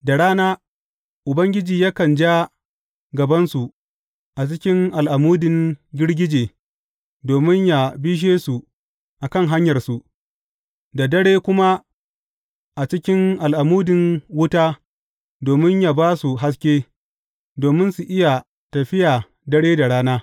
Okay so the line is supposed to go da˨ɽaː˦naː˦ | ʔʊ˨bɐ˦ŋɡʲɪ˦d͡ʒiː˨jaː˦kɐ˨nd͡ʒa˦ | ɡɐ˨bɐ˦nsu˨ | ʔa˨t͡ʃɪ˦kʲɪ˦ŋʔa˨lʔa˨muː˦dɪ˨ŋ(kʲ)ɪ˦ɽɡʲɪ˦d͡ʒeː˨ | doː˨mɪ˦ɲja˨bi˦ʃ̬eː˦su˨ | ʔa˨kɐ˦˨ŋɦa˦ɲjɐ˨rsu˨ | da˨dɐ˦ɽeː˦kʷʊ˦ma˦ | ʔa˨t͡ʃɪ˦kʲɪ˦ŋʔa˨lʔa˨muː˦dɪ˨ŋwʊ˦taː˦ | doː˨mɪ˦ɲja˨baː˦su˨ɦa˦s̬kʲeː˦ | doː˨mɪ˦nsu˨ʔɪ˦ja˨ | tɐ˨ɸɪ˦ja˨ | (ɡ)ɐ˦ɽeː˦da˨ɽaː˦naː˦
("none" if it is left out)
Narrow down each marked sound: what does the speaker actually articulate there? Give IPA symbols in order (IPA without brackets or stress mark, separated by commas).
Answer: ɡʲ, d